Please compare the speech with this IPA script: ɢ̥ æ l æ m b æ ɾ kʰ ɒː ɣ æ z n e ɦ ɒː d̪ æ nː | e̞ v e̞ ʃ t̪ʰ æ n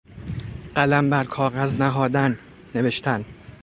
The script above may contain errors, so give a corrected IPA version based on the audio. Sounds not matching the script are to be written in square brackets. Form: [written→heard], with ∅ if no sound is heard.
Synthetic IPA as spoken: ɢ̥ æ l æ m b æ ɾ kʰ ɒː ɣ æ z n [e→æ] ɦ ɒː d̪ æ nː | e̞ v e̞ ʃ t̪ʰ æ n